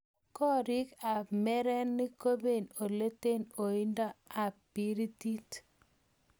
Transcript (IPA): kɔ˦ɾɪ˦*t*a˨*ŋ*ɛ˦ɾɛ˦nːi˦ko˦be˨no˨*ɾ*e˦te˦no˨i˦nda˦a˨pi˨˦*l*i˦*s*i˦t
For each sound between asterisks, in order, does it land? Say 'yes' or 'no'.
no, no, no, no, no

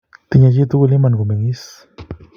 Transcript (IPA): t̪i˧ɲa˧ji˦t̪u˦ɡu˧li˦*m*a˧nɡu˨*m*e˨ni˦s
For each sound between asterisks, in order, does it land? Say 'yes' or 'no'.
yes, yes

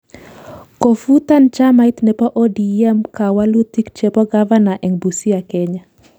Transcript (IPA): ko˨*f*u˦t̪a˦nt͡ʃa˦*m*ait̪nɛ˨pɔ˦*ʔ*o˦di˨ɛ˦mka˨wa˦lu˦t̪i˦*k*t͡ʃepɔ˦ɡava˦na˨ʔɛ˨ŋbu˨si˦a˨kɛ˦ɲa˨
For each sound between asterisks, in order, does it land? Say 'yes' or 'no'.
yes, yes, yes, yes

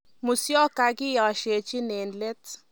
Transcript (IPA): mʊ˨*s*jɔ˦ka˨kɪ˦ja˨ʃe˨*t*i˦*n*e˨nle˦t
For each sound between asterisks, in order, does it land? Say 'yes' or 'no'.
yes, no, yes

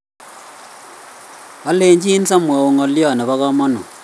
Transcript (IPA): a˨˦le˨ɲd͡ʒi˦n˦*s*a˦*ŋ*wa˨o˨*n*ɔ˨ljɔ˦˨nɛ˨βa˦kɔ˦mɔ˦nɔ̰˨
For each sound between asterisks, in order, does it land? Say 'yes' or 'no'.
yes, no, no

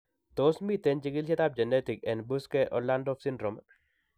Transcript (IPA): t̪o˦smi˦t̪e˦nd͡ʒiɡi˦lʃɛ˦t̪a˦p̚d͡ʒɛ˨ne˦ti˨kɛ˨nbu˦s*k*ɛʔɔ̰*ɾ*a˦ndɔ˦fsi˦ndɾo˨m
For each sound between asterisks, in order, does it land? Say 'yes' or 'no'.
yes, no

